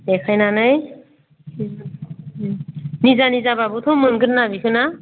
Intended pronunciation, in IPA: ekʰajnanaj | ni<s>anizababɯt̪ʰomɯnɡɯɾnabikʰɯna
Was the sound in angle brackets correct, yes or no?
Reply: no